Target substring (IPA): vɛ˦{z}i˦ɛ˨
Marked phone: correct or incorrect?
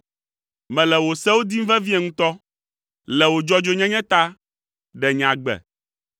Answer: incorrect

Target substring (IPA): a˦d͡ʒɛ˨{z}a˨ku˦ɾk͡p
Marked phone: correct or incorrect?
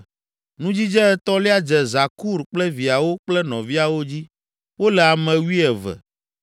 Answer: correct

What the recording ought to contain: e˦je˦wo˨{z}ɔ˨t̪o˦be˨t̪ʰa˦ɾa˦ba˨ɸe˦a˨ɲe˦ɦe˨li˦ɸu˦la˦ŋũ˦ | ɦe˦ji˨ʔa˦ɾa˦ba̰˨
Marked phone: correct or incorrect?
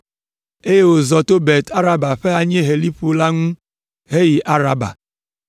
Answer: correct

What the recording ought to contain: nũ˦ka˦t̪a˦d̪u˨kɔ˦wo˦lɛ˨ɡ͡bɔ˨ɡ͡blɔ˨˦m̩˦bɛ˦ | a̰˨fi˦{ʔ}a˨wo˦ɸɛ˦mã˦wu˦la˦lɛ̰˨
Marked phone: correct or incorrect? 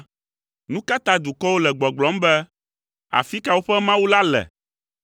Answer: incorrect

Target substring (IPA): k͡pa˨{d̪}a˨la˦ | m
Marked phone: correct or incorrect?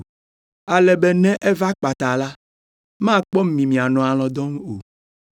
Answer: incorrect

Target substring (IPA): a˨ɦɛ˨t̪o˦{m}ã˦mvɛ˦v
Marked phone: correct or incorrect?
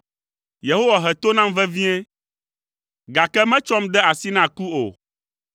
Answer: incorrect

